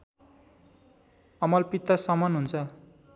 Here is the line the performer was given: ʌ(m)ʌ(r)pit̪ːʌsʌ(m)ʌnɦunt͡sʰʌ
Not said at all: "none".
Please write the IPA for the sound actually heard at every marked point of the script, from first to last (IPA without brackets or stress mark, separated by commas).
m, l, m